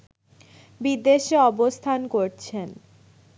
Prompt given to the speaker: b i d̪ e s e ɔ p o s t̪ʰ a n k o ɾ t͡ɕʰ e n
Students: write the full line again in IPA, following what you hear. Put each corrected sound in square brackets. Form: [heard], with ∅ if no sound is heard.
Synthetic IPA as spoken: b i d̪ e [ʃ] e ɔ [b] o s t̪ʰ a n k o ɾ t͡ɕʰ e n